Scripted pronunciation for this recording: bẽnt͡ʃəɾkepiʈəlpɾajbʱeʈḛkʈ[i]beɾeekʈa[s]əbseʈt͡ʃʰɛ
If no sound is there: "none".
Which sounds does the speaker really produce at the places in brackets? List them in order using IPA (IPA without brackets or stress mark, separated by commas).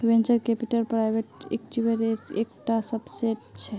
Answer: i, s